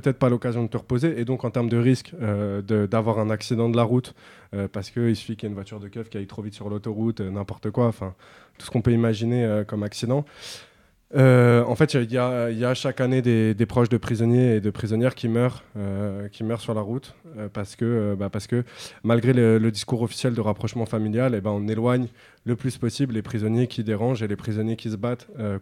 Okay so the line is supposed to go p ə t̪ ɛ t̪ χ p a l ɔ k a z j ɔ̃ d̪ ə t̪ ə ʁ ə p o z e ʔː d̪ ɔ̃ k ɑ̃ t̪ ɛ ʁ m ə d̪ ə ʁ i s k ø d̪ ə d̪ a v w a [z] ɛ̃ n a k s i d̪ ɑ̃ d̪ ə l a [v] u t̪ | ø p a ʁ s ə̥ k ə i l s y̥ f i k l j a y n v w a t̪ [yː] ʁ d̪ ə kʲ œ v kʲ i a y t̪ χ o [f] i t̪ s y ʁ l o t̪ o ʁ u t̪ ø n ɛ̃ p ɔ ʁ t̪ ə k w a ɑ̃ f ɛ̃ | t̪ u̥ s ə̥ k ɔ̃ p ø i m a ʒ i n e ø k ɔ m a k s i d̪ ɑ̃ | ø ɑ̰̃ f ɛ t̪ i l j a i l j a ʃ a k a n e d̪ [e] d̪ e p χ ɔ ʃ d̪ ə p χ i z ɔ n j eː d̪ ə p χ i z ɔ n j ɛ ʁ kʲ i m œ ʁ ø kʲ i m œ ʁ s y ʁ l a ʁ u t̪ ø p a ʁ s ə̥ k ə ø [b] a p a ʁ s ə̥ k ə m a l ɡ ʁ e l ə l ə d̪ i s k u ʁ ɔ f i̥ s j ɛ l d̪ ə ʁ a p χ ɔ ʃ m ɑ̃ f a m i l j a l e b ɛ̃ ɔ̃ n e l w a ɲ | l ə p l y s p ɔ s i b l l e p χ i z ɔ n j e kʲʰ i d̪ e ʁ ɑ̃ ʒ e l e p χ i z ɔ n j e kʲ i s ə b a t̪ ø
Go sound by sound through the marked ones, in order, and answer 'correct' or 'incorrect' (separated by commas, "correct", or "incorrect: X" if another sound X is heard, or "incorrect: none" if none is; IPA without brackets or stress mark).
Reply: incorrect: ʁ, incorrect: ʁ, incorrect: y, incorrect: v, correct, correct